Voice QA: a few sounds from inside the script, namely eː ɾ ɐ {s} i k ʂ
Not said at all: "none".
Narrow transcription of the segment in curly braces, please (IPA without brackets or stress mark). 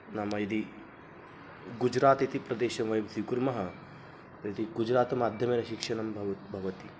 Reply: ʃ